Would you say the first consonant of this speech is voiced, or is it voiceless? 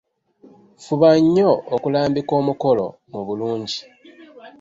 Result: voiceless